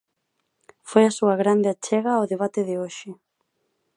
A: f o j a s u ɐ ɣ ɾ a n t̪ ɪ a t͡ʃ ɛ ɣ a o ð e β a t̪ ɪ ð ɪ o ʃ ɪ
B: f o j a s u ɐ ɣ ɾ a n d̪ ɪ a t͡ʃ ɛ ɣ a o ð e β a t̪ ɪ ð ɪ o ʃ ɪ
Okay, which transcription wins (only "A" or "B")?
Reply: B